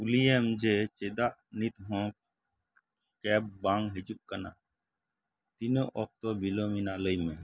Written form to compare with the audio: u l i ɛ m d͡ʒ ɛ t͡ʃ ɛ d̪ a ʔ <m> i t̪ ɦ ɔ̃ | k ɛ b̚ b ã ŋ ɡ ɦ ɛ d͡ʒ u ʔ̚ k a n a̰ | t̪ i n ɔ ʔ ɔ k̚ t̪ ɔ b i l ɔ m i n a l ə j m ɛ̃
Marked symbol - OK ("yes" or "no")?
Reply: no